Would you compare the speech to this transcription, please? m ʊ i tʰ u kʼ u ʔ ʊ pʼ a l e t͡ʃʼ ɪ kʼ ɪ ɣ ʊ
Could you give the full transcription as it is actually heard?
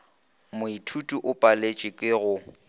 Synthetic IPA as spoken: m ʊ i tʰ u tʼ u ʔ ʊ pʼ a l e t͡ʃʼ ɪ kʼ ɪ ɣ ʊ

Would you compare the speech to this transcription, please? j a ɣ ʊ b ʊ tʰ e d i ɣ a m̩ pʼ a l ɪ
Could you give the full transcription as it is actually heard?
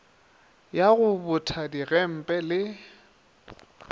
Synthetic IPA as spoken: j a ɣ ʊ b ʊ tʰ a d i ɣ ɛ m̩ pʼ ɛ l ɪ

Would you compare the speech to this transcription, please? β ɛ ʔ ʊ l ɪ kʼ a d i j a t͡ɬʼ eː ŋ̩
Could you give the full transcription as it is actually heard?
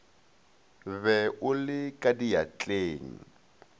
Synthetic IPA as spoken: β ɛ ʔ ʊ l ɪ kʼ a d i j a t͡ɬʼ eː ŋ̩

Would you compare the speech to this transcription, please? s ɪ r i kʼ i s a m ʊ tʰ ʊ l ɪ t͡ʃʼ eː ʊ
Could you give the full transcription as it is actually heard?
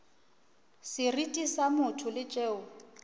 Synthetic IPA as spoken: s ɪ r i tʼ i s a m ʊ tʰ ʊ l ɪ t͡ʃʼ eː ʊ

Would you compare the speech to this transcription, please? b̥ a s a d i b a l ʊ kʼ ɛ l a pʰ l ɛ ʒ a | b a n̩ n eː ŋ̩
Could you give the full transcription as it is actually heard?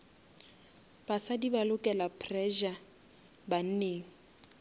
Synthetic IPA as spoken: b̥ a s a d i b a l ʊ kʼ ɛ l a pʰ r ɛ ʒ a | b a n̩ n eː ŋ̩

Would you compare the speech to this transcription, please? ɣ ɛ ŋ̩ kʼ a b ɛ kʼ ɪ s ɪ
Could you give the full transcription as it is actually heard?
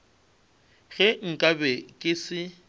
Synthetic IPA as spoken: ɣ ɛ ŋ̩ kʼ a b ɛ kʼ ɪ s ɪ

